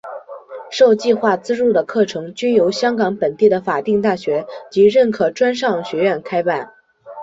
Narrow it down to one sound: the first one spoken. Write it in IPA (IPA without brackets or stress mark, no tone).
ʂ